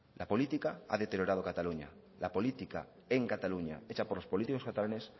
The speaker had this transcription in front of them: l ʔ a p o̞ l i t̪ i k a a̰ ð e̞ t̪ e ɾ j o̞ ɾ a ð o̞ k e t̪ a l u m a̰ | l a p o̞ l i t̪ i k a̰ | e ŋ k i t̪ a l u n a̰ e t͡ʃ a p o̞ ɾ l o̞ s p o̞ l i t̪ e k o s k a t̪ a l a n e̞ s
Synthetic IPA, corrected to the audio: l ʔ a p o̞ l i t̪ i k a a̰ ð e̞ t̪ e ɾ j o̞ ɾ a ð o̞ k a t̪ a l u ɲ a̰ | l a p o̞ l i t̪ i k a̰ | e ŋ k a t̪ a l u ɲ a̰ e t͡ʃ a p o̞ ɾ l o̞ s p o̞ l i t̪ i k o s k a t̪ a l a n e̞ s